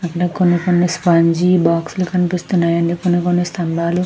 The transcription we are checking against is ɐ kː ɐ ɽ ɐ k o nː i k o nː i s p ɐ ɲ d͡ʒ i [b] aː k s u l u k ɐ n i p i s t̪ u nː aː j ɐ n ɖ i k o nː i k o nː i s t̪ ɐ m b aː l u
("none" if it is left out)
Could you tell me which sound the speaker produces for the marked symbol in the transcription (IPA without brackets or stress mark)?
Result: b